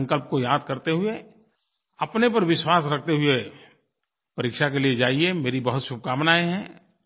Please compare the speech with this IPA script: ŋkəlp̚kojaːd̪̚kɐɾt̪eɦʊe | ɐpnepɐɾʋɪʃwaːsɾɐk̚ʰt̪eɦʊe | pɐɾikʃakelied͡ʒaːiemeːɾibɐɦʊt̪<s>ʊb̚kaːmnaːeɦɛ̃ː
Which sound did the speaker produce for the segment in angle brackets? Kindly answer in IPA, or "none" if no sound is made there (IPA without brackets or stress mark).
ʃ